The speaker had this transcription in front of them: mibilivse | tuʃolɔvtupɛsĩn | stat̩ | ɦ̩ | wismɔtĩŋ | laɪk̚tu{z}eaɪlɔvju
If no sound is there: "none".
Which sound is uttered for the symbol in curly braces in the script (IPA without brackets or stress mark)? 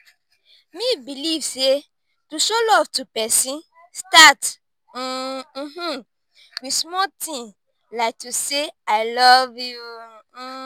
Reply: s